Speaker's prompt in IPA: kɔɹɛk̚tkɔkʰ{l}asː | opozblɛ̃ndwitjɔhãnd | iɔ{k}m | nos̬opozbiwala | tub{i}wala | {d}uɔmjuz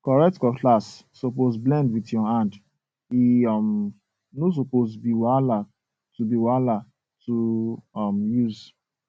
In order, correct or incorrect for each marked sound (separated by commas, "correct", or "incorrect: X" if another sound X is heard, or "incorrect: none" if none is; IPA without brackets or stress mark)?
correct, incorrect: none, correct, incorrect: t